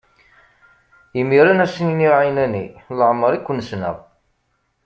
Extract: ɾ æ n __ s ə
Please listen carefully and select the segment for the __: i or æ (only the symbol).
æ